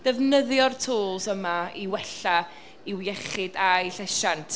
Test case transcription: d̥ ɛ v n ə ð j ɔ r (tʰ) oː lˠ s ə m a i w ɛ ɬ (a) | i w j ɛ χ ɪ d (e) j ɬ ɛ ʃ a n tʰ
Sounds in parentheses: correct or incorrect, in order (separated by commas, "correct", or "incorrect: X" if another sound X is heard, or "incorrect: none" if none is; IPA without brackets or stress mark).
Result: correct, correct, incorrect: a